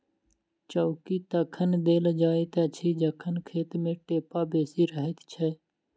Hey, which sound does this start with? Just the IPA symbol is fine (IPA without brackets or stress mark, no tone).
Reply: t͡ʃ